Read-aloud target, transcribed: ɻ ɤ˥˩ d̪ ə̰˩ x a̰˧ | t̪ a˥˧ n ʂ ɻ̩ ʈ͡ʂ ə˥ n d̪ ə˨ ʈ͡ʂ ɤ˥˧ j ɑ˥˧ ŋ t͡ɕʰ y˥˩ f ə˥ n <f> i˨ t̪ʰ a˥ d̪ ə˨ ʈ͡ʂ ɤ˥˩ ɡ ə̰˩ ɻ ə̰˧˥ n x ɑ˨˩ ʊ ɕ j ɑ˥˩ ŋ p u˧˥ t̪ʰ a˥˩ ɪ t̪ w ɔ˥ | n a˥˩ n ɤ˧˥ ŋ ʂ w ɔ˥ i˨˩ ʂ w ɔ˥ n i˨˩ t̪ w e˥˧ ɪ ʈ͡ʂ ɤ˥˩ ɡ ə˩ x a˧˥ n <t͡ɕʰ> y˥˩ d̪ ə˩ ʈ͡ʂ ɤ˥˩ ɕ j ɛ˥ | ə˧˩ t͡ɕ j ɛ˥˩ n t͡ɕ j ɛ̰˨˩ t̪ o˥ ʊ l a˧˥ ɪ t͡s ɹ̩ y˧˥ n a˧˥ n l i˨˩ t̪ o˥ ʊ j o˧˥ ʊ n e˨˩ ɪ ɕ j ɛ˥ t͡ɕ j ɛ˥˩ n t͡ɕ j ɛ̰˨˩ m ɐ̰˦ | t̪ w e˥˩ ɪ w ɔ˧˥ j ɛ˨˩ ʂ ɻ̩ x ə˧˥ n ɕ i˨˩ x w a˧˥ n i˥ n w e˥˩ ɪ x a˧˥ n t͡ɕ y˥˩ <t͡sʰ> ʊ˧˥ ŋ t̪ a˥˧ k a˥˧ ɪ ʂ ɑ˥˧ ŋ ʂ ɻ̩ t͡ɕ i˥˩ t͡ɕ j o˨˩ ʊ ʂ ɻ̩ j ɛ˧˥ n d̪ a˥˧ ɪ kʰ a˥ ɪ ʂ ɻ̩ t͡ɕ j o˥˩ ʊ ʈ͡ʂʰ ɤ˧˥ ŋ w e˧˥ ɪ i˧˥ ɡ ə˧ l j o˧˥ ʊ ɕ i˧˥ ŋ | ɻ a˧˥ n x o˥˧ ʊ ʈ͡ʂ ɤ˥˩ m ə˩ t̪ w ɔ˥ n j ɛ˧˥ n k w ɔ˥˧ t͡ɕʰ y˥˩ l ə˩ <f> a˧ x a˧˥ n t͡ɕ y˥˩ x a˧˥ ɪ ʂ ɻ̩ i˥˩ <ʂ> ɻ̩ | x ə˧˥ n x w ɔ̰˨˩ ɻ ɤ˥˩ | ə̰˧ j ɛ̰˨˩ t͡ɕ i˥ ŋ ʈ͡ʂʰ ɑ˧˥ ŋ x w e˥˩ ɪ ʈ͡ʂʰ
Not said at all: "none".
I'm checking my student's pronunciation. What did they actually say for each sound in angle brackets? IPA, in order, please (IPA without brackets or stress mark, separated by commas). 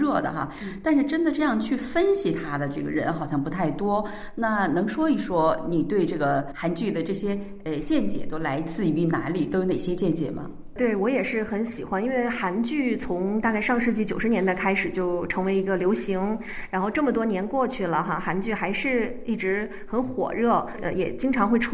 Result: ɕ, t͡ɕ, t͡sʰ, x, ʈ͡ʂ